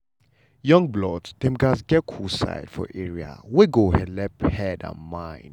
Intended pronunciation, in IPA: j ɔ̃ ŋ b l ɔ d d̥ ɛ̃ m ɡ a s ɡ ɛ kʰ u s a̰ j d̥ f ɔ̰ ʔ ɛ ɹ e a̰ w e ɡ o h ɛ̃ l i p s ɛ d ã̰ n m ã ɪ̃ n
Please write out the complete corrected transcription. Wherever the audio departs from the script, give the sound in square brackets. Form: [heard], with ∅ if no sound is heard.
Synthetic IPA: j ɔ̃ ŋ b l ɔ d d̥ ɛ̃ m ɡ a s ɡ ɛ kʰ u s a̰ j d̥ f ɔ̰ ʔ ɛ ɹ [i] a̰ w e ɡ o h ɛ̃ l [ɛ] p [h] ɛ d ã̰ n m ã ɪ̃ n